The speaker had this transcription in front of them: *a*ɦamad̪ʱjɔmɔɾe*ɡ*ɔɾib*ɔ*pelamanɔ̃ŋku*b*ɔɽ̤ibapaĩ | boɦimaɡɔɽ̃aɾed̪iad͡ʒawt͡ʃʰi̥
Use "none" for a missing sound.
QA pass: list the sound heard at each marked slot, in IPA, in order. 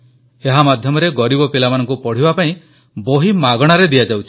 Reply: e, ɡ, ɔ, p

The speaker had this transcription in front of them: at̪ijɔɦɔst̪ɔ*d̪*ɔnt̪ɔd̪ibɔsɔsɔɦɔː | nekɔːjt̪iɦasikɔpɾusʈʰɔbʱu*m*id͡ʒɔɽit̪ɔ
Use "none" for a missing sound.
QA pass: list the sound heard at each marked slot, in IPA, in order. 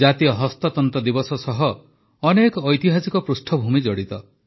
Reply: t̪, m

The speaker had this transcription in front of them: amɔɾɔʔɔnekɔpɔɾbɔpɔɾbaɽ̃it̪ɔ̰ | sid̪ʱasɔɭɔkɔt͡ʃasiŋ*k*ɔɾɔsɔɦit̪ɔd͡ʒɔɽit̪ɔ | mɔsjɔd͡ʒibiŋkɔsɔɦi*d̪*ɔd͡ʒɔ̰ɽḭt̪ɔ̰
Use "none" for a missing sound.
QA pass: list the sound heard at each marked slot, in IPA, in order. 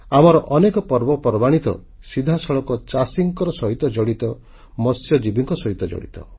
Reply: k, t̪

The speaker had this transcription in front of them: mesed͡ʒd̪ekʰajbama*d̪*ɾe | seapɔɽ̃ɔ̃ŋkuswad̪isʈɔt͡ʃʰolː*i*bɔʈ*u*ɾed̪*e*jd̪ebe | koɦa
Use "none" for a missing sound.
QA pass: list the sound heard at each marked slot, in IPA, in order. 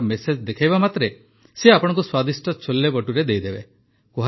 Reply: t̪, e, u, e

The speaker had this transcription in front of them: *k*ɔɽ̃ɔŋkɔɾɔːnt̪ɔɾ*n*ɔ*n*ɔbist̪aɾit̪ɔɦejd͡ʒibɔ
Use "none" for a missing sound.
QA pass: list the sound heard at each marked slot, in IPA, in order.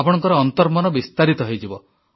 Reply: p, m, n

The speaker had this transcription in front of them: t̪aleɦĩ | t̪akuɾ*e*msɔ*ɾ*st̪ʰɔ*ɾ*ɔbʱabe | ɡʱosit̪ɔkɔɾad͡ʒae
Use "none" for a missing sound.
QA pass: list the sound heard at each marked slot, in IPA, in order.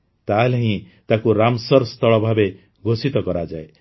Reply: a, ɾ, ɭ

